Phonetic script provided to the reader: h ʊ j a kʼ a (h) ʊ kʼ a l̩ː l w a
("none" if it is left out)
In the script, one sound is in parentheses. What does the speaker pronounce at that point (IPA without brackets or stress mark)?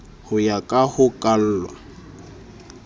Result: h